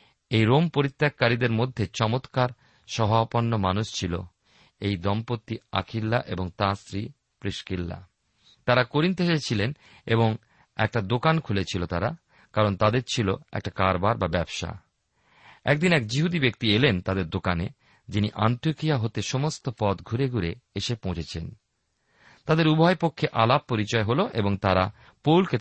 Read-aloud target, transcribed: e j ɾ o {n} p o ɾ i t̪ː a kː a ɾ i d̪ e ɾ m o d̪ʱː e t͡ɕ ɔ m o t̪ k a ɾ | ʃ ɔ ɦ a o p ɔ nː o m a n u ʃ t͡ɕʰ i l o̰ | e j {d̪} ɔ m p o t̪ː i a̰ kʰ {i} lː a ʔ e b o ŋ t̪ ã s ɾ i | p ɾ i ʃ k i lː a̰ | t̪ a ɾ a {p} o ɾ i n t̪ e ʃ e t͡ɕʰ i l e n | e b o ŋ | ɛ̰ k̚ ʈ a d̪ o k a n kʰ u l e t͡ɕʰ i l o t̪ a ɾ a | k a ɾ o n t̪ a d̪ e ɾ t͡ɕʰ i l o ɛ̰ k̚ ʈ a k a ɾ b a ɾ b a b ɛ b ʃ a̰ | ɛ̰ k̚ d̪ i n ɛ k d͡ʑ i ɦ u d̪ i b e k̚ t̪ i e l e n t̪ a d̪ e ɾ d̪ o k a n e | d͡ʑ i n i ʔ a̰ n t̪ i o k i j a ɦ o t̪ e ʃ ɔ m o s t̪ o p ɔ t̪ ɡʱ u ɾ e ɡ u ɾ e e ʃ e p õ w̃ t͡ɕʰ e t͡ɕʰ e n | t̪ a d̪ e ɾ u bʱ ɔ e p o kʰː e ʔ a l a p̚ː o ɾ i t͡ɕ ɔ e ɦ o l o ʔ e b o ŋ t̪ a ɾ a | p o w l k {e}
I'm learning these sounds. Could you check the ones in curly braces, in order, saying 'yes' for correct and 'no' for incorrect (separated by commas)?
no, yes, yes, no, yes